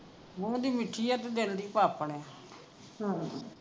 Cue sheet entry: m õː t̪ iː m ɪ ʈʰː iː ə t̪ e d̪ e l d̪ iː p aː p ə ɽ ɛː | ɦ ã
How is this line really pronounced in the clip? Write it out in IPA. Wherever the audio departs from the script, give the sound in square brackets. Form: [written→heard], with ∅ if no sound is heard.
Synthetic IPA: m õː [t̪→d̪] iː m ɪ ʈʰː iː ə t̪ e d̪ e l d̪ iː p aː p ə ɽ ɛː | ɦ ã